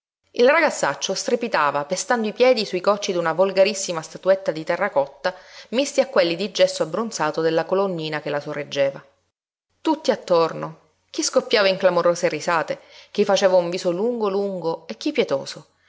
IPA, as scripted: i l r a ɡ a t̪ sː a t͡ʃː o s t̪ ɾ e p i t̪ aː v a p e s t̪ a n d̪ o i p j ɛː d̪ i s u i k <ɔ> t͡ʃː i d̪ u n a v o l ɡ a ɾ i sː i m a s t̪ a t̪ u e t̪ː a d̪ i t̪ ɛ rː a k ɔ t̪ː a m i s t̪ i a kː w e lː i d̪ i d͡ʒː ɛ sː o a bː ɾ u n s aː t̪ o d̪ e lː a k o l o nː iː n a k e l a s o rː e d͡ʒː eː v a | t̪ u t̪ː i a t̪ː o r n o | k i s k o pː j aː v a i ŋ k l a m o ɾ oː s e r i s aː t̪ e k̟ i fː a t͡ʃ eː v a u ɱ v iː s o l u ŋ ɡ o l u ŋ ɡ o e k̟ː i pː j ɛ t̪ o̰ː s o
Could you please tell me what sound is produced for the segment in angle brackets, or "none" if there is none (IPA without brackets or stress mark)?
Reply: ɔ